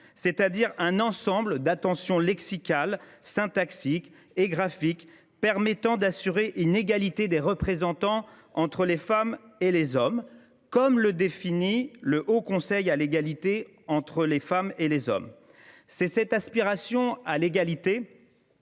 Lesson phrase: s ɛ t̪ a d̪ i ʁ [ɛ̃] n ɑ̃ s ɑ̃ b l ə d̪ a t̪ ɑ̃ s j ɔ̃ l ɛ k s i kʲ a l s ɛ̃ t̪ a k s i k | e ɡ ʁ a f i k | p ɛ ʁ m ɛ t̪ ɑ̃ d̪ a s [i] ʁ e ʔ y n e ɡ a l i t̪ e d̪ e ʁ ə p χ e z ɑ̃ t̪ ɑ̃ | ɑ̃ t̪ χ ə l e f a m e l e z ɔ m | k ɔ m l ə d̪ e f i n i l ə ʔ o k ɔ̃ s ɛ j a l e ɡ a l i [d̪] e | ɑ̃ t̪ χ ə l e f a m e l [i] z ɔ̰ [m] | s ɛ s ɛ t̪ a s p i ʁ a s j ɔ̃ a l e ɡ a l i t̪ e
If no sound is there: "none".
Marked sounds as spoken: ɛ̃, y, t̪, e, m

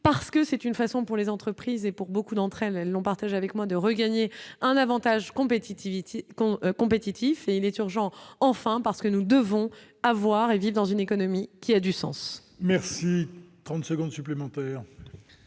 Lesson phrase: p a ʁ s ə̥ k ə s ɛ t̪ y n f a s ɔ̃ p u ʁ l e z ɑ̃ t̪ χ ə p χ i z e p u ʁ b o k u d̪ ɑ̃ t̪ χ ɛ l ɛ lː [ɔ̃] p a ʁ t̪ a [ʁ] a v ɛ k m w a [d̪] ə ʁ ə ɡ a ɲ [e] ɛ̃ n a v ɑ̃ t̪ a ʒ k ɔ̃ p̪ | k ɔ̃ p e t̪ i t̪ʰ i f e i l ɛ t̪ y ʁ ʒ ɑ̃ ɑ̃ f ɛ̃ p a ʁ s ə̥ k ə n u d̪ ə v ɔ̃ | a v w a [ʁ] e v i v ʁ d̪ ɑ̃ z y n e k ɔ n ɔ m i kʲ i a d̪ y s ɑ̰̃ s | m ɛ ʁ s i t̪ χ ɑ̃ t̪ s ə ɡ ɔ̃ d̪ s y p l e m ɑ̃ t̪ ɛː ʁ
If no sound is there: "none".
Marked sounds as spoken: ɔ̃, ʒ, d̪, e, ʁ

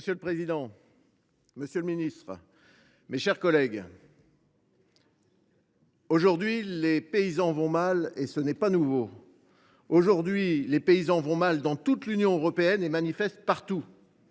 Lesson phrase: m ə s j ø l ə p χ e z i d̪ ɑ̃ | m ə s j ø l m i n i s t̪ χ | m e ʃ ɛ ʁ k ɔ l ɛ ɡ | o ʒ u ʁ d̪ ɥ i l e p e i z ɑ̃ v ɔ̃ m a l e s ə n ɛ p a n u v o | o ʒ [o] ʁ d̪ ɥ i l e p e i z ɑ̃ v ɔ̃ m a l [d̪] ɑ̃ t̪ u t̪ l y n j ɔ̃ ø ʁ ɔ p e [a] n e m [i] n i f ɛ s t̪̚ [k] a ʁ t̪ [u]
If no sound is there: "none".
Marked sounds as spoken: u, d̪, ɛ, a, p, u

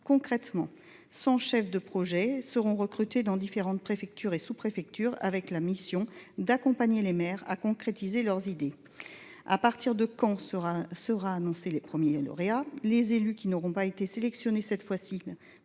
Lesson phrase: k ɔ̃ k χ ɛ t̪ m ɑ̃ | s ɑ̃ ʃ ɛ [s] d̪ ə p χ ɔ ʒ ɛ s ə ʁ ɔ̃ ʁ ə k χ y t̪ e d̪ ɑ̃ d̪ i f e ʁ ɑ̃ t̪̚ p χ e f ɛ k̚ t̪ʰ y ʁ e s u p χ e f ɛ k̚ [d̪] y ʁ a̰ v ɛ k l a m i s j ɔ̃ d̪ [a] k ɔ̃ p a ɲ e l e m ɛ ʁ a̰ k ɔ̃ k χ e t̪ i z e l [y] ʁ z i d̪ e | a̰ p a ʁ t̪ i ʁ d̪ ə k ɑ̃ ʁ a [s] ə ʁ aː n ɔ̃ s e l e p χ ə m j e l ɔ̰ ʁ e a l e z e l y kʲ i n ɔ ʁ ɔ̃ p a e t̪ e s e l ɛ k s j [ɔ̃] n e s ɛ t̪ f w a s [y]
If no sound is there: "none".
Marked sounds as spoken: f, t̪, a, œ, s, ɔ, i

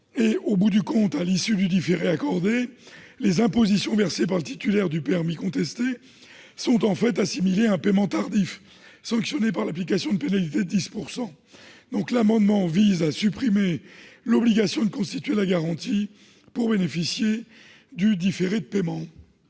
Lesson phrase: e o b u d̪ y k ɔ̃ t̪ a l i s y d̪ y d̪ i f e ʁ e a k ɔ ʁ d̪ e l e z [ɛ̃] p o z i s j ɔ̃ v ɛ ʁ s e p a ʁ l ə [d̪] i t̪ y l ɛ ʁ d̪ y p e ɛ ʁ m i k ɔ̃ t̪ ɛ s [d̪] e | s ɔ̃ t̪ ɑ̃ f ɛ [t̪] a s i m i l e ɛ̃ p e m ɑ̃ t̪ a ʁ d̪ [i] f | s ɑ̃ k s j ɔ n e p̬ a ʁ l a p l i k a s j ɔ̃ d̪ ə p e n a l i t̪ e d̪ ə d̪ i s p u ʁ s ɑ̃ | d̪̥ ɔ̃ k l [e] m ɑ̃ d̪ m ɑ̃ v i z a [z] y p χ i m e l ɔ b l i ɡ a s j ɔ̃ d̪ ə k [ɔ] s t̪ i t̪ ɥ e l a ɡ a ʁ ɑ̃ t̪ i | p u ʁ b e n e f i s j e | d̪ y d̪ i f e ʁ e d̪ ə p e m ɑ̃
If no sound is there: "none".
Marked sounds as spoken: ɛ̃, t̪, t̪, t̪, i, a, s, ɔ̃

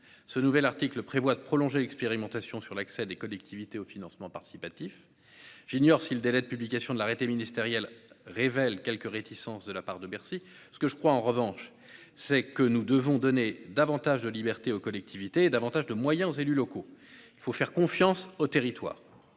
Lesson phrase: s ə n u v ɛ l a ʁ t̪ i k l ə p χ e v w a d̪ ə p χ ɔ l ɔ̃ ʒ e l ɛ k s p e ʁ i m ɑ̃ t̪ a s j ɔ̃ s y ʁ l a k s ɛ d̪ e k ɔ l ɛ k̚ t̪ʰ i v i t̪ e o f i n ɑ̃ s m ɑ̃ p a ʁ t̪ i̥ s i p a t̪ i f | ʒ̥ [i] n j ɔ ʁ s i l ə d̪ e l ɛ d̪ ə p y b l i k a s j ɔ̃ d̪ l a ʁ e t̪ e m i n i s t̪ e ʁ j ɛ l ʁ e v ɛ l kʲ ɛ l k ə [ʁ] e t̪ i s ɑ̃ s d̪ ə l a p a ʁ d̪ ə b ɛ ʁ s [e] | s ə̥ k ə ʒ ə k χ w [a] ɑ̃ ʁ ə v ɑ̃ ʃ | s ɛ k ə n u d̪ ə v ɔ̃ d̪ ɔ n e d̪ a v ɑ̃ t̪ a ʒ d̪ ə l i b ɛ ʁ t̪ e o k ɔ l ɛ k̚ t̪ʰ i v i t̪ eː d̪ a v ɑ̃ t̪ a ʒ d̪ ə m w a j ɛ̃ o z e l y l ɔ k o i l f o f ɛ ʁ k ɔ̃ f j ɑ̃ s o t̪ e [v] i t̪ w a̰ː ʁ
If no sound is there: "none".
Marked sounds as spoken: i, ʁ, i, a, ʁ

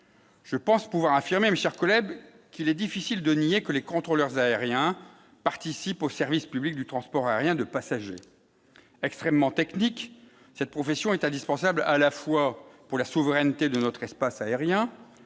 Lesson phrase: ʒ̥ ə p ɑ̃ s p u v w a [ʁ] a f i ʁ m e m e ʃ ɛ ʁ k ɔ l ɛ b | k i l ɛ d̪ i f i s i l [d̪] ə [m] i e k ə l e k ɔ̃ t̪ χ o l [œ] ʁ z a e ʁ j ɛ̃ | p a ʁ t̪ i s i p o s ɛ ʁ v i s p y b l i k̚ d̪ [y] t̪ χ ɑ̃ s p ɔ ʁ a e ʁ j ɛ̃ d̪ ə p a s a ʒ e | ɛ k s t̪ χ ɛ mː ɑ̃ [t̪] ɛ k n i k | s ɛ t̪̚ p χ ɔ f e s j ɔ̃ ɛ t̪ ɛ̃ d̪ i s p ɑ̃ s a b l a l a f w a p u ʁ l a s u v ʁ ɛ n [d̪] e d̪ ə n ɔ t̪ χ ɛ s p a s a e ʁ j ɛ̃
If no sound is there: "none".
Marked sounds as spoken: ʁ, d̪, n, œ, y, t̪, t̪

